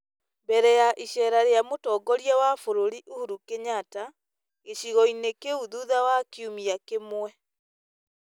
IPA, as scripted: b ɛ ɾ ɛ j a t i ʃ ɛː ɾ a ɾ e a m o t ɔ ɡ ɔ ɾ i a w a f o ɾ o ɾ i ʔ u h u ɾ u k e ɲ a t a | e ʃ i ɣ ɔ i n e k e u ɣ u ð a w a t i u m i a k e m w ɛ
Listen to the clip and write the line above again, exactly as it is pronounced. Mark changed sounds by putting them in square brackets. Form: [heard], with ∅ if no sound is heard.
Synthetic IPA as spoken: b ɛ ɾ ɛ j a [ʔ] i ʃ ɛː ɾ a ɾ e a m o t ɔ ɡ ɔ ɾ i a w a f o ɾ o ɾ i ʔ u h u ɾ u k e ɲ a t a | e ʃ i ɣ ɔ i n e k e u [ð] u ð a w a [k] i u m i a k e m w ɛ